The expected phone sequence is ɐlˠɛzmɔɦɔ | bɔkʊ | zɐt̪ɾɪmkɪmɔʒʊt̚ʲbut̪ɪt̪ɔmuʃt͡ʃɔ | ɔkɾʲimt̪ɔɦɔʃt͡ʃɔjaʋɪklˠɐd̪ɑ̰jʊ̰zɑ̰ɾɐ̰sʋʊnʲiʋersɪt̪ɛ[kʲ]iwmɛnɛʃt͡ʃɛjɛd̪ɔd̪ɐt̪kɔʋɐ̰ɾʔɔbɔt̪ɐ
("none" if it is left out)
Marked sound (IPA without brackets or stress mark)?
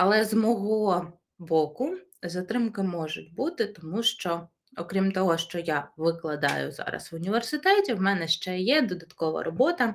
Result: tʲ